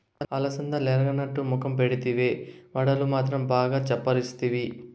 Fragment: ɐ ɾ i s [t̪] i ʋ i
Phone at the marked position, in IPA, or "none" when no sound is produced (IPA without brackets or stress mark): t̪